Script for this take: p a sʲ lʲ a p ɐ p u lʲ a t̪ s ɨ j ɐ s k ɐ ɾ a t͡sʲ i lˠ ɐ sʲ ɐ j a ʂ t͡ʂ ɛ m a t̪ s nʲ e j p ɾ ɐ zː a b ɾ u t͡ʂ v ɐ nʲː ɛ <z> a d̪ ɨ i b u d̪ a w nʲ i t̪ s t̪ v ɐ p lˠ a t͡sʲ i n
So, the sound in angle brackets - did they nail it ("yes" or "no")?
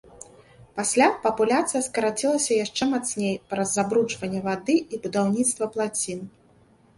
no